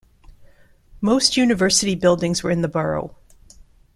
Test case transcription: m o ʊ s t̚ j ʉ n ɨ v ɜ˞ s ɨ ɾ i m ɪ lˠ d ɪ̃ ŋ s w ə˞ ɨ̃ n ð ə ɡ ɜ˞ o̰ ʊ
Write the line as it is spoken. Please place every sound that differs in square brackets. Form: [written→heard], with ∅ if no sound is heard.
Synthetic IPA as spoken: m o ʊ s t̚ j ʉ n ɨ v ɜ˞ s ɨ ɾ i [m→b] ɪ lˠ d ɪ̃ ŋ [s→z] w ə˞ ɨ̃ n ð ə [ɡ→b] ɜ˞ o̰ ʊ